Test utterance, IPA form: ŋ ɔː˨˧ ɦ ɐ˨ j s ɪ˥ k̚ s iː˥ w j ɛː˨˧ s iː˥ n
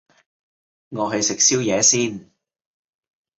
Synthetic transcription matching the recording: ŋ ɔː˨˧ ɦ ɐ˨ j s ɪ˨ k̚ s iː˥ w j ɛː˨˧ s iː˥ n